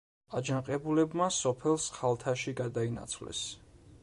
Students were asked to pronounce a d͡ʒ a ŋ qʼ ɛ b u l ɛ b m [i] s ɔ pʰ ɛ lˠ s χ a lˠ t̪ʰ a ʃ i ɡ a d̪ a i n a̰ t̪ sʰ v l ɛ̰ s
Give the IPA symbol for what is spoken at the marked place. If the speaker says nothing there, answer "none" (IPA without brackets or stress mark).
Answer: a